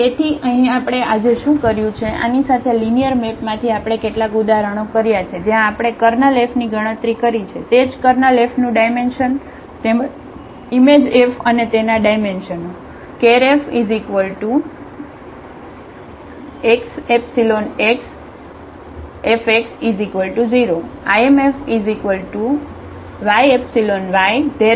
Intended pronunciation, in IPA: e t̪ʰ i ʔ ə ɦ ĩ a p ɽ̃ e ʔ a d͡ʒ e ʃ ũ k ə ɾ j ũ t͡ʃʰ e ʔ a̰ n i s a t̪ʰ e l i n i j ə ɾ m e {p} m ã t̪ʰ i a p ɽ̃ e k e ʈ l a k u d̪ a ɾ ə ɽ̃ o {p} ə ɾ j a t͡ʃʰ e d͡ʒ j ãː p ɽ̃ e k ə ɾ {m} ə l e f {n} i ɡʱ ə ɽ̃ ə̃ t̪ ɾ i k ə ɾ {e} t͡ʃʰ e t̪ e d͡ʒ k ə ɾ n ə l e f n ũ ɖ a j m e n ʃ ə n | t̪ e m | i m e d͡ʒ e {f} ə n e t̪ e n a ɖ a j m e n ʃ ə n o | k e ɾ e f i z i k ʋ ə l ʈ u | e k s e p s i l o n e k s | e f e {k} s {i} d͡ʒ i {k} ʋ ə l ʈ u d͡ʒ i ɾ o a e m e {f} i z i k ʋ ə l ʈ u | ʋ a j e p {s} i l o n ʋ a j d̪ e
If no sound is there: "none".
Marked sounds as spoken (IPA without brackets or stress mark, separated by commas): p, k, n, n, i, f, k, i, k, f, s